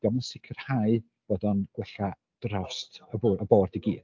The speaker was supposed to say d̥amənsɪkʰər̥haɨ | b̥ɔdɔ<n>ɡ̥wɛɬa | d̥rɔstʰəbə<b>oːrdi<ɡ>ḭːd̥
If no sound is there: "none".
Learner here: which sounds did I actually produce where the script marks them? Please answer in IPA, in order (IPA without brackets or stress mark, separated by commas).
n, b, ɡ